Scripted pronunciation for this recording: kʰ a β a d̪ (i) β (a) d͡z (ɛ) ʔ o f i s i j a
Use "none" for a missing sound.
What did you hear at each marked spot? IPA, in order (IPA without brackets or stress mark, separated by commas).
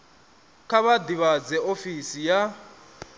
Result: i, a, ɛ